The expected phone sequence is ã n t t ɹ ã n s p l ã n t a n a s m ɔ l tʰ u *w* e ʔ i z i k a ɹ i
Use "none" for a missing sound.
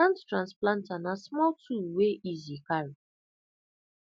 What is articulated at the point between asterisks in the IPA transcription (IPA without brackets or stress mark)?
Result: w